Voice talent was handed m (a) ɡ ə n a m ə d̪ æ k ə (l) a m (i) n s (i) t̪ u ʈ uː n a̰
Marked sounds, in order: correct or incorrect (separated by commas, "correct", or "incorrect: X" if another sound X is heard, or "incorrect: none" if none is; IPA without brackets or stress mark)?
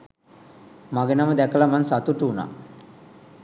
correct, correct, incorrect: a, incorrect: a